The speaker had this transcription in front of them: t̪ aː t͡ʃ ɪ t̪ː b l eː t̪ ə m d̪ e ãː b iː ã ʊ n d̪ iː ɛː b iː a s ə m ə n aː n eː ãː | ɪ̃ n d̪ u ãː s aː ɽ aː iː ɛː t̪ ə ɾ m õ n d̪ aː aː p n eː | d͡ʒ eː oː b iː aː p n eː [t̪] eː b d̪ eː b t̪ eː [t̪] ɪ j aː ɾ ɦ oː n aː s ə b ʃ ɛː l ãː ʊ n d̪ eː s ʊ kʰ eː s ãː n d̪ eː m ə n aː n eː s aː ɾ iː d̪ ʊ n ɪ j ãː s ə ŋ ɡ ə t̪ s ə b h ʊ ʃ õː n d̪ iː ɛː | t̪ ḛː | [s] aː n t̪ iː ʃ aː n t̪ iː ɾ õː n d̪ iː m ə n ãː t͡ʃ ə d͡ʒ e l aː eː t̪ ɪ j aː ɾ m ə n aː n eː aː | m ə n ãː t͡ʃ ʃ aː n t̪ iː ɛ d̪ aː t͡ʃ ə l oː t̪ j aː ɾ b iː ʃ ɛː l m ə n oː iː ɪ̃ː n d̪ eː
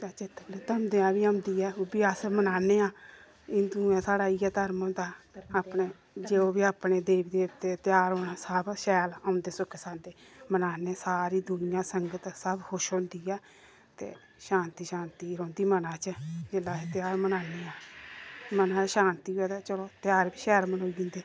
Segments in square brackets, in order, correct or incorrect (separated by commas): incorrect, correct, incorrect